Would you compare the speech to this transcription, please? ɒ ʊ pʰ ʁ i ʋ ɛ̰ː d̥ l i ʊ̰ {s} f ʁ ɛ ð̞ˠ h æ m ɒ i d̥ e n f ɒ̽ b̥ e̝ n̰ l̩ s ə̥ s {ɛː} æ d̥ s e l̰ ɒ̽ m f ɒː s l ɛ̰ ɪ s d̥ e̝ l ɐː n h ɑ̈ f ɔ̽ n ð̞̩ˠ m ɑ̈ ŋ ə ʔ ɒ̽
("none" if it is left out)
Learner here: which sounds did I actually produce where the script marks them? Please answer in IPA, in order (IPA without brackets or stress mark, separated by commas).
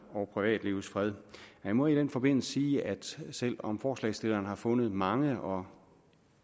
s, iː